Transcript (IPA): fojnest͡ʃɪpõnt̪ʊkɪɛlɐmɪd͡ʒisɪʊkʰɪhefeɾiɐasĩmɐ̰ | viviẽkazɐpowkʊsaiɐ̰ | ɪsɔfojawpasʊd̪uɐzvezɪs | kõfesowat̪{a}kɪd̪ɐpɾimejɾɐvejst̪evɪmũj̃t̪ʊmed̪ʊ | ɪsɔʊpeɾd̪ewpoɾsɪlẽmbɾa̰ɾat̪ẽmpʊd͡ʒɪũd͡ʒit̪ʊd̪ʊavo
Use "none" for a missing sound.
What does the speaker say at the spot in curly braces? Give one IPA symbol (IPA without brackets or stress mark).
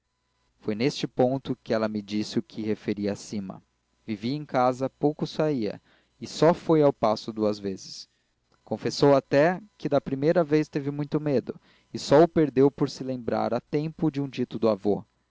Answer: ɛ